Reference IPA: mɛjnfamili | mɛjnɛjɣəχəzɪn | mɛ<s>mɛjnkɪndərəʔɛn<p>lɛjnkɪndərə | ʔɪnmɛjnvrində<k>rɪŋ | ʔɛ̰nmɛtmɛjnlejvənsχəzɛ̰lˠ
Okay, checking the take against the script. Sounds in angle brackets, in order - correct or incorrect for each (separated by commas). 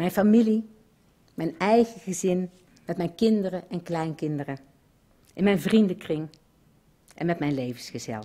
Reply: incorrect, incorrect, correct